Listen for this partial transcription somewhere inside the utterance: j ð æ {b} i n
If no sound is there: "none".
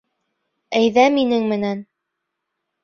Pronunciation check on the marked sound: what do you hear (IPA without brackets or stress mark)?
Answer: m